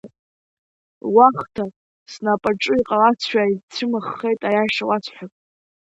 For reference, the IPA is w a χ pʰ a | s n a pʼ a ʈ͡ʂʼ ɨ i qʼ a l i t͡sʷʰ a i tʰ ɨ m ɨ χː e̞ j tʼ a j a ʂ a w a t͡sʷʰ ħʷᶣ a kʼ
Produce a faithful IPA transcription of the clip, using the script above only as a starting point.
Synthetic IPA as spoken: w a χ tʰ a | s n a pʼ a ʈ͡ʂʼ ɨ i qʼ a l a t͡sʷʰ a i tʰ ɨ m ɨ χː e̞ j tʼ a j a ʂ a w a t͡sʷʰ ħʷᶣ a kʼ